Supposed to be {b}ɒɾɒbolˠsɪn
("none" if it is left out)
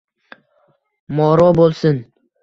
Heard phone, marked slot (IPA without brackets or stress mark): m